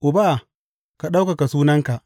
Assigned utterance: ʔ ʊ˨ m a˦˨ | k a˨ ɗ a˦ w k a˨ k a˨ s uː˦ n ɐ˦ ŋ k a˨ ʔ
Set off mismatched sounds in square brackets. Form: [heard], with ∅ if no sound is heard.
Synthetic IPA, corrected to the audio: ʔ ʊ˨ [b] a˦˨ | k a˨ ɗ a˦ w k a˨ k a˨ s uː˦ n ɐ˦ ŋ k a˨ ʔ

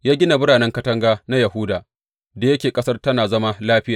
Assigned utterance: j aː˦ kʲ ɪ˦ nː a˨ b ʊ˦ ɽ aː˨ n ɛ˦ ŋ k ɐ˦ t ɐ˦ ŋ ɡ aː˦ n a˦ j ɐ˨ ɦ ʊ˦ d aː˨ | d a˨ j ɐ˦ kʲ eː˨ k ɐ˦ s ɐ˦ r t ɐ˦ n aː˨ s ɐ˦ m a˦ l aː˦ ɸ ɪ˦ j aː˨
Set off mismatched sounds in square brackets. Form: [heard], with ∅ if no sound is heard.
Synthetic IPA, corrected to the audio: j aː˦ [ɡʲ] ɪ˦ [n] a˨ b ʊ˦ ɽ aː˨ n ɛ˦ ŋ k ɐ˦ t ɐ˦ ŋ ɡ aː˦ n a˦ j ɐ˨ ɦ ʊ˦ d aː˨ | d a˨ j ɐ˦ kʲ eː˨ [kʼ] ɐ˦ s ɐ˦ r t ɐ˦ n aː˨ [z] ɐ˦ m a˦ l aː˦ ɸ ɪ˦ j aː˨

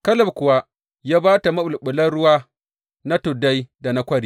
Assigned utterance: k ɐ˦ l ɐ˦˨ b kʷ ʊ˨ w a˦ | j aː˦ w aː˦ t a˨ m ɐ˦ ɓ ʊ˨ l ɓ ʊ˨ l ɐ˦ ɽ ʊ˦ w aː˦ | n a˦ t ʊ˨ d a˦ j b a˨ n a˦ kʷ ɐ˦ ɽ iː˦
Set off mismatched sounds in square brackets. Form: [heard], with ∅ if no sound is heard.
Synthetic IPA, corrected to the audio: k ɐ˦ l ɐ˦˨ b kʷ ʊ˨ w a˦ | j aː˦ [b] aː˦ t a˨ m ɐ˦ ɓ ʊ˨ l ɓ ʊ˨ l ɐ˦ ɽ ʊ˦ w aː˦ | n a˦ t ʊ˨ d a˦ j [d] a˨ n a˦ kʷ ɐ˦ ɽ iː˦

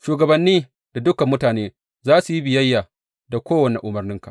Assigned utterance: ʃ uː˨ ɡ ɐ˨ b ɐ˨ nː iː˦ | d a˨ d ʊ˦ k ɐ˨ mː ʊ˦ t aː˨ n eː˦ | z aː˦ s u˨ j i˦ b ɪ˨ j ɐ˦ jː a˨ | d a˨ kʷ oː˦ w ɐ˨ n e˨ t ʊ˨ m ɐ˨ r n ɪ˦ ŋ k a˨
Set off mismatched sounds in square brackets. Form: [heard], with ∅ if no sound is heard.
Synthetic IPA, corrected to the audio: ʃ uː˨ ɡ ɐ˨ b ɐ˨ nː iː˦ | d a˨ d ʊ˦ k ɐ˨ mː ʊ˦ t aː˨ n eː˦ | z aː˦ s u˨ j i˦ b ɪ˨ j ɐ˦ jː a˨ | d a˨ kʷ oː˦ w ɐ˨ n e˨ [ʔ] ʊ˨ m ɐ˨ r n ɪ˦ ŋ k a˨

